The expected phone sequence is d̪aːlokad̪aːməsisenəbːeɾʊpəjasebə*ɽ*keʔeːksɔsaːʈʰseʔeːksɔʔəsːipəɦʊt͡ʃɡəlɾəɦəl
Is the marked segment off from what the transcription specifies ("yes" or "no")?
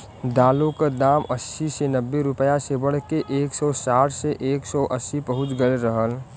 no